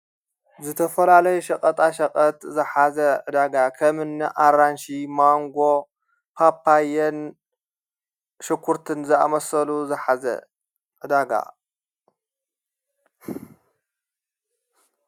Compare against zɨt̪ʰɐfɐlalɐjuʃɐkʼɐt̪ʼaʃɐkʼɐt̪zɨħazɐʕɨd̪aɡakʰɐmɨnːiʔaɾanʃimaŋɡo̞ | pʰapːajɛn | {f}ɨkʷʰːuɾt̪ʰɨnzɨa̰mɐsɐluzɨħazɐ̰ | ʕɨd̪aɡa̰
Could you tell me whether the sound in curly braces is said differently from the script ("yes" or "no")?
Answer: yes